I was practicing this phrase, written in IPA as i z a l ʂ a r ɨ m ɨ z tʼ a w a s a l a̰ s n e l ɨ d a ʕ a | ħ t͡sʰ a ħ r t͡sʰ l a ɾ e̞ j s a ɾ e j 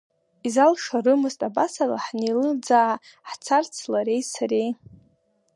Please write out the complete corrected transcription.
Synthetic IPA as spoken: i z a l ʂ a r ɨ m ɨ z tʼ a b a s a l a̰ ħ n e l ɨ d͡z a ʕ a | ħ t͡sʰ a r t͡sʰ l a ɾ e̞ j s a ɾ e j